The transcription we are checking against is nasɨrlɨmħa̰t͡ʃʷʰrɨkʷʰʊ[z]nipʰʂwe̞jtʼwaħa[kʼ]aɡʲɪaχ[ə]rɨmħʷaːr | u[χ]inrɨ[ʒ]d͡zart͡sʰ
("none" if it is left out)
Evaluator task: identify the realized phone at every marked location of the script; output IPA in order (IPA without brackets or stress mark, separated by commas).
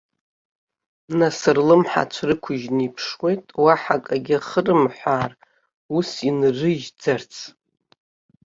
ʒ, kʼ, ə, s, ʒ